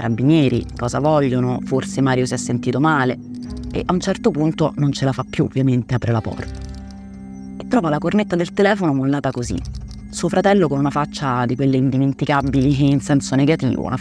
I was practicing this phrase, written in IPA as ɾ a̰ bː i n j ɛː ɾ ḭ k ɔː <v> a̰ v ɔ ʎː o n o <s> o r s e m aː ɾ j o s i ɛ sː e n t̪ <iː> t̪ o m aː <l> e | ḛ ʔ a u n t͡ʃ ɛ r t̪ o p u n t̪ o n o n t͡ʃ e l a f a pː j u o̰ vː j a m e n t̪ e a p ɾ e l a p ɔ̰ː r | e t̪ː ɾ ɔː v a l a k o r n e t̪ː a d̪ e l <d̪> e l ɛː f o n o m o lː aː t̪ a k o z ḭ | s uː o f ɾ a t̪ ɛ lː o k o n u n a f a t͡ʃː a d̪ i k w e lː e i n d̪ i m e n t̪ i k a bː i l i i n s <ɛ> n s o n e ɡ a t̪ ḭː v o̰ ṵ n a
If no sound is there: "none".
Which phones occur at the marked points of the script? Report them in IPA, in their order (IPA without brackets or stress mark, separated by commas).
z, f, iː, l, t̪, ɛ